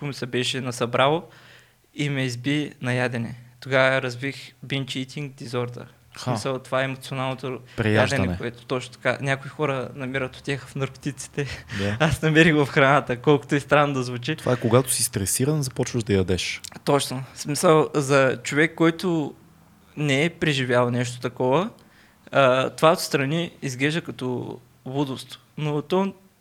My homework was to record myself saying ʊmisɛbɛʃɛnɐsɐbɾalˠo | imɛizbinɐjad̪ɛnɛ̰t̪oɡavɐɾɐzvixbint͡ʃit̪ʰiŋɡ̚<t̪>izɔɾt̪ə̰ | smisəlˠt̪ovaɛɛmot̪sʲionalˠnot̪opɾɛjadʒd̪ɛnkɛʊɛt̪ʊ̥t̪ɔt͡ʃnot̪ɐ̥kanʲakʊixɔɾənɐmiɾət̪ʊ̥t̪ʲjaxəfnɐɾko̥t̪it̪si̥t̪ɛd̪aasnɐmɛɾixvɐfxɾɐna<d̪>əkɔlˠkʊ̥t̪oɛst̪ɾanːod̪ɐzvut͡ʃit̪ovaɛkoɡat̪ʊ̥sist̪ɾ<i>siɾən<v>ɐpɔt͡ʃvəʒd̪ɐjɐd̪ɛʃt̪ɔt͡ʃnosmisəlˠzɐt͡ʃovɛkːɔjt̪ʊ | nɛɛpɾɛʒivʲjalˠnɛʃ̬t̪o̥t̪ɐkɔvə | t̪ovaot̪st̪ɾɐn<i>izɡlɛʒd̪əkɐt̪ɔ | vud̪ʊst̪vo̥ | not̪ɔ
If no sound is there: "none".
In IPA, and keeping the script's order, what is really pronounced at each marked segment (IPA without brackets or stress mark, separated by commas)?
d̪, t̪, ɛ, z, i